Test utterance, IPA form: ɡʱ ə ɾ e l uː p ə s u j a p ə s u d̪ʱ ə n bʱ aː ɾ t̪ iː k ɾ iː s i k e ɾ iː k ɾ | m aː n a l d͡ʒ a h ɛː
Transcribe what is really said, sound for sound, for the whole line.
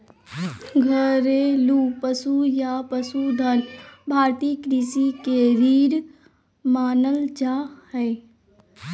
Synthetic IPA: ɡʱ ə ɾ e l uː p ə s u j a p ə s u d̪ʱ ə n bʱ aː ɾ t̪ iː k ɾ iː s i k e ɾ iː ɾ | m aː n ə l d͡ʒ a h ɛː

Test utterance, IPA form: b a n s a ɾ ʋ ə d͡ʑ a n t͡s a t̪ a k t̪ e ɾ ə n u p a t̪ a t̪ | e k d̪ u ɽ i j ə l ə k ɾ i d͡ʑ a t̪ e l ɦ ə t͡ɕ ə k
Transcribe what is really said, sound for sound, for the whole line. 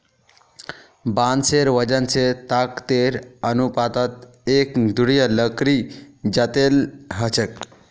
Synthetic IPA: b a n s e ɾ ʋ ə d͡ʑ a n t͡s e t̪ a k t̪ e ɾ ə n u p a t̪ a t̪ | e k d̪ u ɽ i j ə l ə k ɾ i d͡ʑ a t̪ e l ɦ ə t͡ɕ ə k

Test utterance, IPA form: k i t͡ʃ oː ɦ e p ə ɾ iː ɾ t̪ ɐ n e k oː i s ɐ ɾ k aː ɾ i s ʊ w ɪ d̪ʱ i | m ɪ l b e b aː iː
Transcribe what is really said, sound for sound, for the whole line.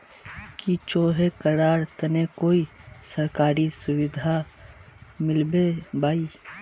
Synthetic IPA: k i t͡ʃ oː ɦ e k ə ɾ aː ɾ t̪ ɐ n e k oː i s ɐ ɾ k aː ɾ i s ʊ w ɪ d̪ʱ a | m ɪ l b e b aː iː

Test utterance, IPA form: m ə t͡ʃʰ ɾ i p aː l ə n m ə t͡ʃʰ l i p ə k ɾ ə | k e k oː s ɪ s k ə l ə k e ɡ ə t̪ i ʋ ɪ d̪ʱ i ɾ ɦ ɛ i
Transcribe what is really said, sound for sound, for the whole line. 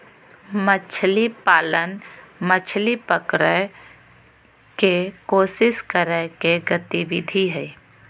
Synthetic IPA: m ə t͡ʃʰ l i p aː l ə n m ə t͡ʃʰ l i p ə k ɾ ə | k e k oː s ɪ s k ə ɾ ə k e ɡ ə t̪ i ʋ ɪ d̪ʱ i ɦ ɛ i

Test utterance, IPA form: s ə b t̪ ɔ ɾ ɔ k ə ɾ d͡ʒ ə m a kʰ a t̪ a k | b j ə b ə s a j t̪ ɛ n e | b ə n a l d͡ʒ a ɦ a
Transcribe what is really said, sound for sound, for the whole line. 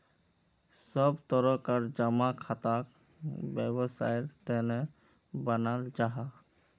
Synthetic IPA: s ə b t̪ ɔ ɾ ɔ k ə ɾ d͡ʒ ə m a kʰ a t̪ a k | b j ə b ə s a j t̪ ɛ n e | b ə n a l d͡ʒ a ɦ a

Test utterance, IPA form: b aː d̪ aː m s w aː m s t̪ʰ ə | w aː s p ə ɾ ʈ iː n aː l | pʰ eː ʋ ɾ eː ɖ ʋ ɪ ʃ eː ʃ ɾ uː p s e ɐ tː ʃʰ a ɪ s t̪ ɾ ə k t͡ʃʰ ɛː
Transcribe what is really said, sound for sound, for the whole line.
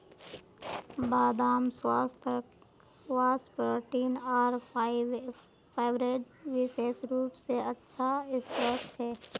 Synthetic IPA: b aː d̪ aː m s w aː s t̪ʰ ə | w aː s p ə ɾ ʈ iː n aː ɾ | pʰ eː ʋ ɾ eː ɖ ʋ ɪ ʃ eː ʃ ɾ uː p s e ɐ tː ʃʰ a ɪ s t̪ ɾ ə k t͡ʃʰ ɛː

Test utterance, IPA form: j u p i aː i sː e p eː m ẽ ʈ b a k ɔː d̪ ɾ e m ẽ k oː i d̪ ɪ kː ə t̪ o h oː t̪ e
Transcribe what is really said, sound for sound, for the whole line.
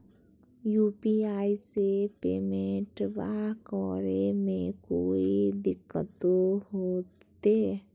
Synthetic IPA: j u p i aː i s e p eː m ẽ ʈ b a k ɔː ɾ e m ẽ k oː i d̪ ɪ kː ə t̪ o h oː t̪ e

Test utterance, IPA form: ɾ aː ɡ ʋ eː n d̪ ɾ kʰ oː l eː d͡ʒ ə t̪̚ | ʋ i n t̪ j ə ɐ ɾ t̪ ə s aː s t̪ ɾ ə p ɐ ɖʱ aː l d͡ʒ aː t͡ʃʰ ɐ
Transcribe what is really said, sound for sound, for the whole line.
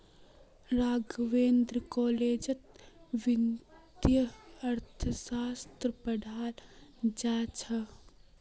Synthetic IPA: ɾ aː ɡ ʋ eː n d̪ ɾ k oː l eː d͡ʒ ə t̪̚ | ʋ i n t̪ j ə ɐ ɾ t̪ʰ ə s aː s t̪ ɾ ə p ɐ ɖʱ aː l d͡ʒ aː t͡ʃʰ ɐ

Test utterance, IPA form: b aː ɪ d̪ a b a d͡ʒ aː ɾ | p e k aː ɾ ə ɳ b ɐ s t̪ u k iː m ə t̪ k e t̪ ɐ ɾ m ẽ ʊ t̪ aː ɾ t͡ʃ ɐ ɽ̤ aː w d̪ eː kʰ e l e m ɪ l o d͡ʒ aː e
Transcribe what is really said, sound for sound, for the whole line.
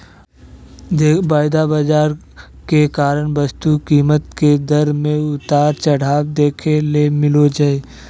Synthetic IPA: b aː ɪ d̪ a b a d͡ʒ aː ɾ | k e k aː ɾ ə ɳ b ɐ s t̪ u k iː m ə t̪ k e d̪ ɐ ɾ m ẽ ʊ t̪ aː ɾ t͡ʃ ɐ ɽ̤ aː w d̪ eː kʰ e l e m ɪ l o d͡ʒ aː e

